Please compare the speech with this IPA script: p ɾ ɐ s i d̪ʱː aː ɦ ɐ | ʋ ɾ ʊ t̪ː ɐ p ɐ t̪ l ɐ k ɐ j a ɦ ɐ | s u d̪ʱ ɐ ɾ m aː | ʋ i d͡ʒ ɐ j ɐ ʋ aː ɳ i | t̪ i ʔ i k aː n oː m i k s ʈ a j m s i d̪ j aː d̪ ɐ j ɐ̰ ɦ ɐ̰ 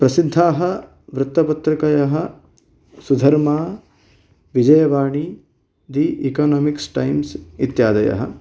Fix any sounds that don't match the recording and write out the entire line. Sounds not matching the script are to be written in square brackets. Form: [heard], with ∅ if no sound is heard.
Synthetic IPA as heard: p ɾ ɐ s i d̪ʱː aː ɦ ɐ | ʋ ɾ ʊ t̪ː ɐ p ɐ t̪ [ɾ] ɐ k ɐ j [ɐ] ɦ ɐ | s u d̪ʱ ɐ ɾ m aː | ʋ i d͡ʒ ɐ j ɐ ʋ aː ɳ i | [d̪] i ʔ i k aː n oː m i k s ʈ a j m s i [t̪] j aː d̪ ɐ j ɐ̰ ɦ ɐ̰